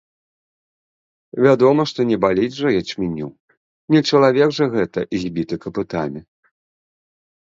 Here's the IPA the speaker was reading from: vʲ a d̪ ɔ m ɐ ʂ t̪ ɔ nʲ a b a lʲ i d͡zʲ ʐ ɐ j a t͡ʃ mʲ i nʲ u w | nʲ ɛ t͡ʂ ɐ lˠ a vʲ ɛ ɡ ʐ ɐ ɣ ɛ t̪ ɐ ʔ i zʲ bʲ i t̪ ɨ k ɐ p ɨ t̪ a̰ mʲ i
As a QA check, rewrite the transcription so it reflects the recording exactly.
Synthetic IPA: vʲ a d̪ ɔ m ɐ ʂ t̪ ɔ nʲ ɛ b a lʲ i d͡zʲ ʐ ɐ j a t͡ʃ mʲ i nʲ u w | nʲ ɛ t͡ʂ ɐ lˠ a vʲ ɛ ɡ ʐ ɐ ɣ ɛ t̪ ɐ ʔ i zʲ bʲ i t̪ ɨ k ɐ p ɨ t̪ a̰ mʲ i